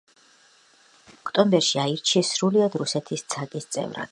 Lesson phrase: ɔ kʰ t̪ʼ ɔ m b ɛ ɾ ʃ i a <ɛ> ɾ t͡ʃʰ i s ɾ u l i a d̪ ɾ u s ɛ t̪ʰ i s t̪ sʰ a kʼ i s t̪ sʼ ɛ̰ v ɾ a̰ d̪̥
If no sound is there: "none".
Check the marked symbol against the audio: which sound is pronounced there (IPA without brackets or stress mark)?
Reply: i